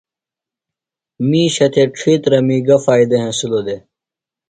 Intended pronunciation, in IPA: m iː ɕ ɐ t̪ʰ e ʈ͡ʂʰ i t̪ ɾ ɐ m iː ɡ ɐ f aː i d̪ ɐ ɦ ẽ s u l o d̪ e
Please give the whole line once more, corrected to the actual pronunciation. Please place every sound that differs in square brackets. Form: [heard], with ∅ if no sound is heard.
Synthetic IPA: m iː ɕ ɐ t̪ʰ e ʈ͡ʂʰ i t̪ ɾ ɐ m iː ɡ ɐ f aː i d̪ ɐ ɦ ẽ s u l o d̪ e